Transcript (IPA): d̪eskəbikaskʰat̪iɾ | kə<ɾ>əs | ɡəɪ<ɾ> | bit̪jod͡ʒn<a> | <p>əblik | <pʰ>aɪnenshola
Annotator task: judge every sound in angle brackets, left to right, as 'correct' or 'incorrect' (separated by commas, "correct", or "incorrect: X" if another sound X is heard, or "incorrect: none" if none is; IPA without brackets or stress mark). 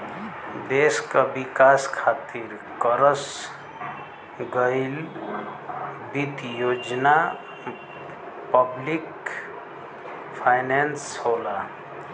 correct, incorrect: l, correct, correct, correct